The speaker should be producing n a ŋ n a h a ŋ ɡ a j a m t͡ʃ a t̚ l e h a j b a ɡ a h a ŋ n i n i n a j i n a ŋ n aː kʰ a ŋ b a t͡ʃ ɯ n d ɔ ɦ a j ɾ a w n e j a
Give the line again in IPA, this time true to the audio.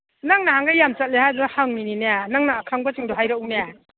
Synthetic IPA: n a ŋ n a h a ŋ ɡ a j a m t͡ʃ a t̚ l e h a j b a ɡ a h a ŋ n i n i n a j a n a ŋ n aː kʰ a ŋ b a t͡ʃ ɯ ŋ d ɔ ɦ a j ɾ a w n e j a